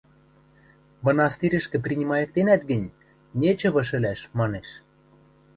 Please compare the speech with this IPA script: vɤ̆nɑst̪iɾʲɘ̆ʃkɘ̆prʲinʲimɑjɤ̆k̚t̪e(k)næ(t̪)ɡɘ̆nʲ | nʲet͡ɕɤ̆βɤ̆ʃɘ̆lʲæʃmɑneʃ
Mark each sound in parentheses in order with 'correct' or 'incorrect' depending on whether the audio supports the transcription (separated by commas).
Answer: incorrect, correct